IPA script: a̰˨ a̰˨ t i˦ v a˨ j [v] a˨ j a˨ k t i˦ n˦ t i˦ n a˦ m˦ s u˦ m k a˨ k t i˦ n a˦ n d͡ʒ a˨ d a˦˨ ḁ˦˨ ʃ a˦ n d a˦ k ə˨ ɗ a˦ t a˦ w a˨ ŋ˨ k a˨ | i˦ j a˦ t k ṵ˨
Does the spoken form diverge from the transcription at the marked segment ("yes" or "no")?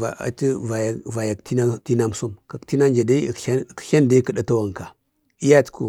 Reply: no